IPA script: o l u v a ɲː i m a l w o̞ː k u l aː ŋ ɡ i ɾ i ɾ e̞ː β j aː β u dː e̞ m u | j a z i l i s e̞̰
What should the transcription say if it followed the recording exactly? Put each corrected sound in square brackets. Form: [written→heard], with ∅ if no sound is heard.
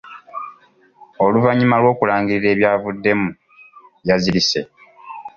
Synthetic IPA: o l u v a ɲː i m a l w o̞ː k u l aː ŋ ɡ i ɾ i ɾ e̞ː β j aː [β→v] u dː e̞ m u | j a z i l i s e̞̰